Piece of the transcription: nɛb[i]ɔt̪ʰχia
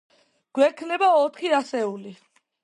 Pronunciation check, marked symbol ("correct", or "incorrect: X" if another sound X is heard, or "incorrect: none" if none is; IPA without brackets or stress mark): incorrect: a